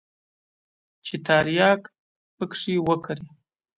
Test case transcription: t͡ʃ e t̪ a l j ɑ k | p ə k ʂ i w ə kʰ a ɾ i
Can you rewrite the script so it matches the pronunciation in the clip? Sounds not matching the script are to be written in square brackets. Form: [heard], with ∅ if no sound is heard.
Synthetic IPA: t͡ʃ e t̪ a [ɾ] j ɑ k | p ə k ʂ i w ə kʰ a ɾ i